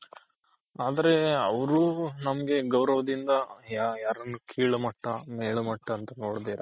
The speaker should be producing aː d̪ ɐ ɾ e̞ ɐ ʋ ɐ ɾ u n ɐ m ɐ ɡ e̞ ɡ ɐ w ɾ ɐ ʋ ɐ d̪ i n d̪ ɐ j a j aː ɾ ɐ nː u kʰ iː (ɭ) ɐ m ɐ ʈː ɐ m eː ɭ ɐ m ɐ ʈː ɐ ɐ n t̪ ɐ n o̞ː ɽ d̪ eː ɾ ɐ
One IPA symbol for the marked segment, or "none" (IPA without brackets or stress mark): ɭ